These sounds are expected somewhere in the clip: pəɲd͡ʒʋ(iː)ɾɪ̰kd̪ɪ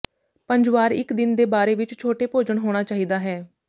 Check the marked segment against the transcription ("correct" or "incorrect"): incorrect